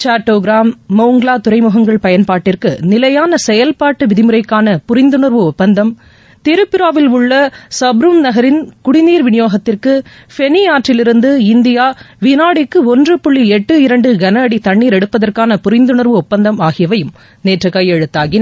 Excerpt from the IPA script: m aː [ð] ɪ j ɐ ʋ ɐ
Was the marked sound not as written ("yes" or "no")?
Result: yes